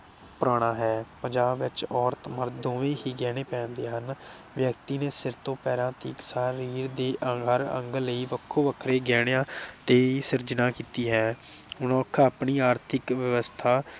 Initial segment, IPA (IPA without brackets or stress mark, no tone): p